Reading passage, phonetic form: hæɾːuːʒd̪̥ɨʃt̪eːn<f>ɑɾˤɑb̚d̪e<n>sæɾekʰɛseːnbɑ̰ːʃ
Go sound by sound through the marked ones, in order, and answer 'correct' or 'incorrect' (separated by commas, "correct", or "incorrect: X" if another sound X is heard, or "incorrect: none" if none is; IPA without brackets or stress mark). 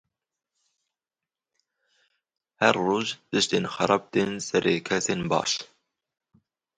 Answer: incorrect: x, correct